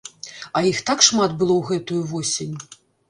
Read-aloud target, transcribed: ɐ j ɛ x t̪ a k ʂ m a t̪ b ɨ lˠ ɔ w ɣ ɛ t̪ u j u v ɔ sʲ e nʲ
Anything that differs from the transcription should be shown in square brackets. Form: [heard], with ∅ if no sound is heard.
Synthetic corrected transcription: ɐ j [i] x t̪ a k ʂ m a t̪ b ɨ lˠ ɔ w ɣ ɛ t̪ u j u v ɔ sʲ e nʲ